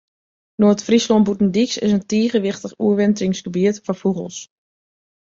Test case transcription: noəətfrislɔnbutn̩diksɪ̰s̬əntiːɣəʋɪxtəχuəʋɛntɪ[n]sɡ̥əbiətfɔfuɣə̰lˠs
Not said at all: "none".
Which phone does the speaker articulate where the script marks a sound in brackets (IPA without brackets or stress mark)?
ŋ